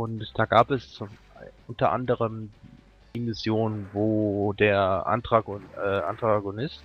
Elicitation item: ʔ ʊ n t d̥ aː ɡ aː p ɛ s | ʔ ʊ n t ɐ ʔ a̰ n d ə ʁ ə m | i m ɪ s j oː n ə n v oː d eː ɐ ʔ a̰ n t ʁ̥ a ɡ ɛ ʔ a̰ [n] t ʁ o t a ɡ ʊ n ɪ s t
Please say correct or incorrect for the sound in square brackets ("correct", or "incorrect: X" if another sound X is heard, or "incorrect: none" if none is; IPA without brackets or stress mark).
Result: correct